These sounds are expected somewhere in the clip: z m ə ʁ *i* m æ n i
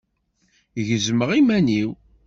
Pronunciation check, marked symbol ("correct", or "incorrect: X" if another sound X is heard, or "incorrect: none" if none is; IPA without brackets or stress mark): correct